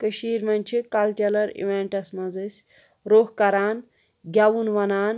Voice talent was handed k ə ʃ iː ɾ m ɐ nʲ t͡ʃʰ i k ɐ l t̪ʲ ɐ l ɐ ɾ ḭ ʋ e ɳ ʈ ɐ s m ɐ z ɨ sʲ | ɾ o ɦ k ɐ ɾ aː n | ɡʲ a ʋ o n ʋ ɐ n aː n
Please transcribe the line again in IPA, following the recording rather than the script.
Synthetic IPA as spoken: k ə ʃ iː ɾ m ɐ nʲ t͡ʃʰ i k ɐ l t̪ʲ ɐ l ɐ ɾ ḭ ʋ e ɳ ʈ ɐ s m ɐ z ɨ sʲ | ɾ o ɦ k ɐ ɾ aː n | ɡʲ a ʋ u n ʋ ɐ n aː n